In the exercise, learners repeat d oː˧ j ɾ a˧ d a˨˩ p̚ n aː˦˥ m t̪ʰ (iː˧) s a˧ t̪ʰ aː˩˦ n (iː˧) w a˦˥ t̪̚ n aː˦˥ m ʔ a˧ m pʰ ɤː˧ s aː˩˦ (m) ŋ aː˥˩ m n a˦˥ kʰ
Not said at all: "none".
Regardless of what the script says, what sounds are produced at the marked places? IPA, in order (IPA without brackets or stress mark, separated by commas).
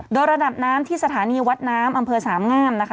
iː˥˩, iː˧, m